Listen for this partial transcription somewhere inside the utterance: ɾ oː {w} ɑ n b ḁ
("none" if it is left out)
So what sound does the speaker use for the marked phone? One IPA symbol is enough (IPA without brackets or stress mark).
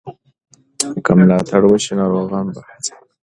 ɣ